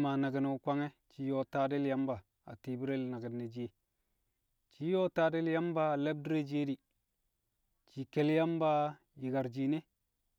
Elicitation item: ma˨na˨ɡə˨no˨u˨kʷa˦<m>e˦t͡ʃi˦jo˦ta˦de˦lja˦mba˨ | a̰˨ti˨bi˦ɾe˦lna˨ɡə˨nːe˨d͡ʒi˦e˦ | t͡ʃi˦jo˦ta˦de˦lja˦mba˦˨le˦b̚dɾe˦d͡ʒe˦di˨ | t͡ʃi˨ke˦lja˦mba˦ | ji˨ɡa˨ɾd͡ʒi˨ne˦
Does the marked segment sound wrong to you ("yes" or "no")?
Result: yes